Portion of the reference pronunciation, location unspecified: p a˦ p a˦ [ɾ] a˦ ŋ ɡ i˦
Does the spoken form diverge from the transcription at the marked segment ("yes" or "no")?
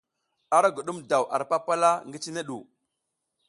yes